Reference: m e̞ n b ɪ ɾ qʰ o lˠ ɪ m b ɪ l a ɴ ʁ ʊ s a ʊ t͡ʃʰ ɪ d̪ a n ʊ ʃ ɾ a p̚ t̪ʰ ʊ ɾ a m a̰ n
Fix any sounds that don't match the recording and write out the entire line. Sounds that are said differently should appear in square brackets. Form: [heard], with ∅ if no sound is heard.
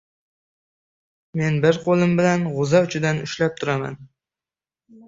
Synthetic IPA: m e̞ n b ɪ ɾ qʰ o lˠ ɪ m b ɪ l a [n] ʁ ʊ [z] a ʊ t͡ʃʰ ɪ d̪ a n ʊ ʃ [l] a p̚ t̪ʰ ʊ ɾ a m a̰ n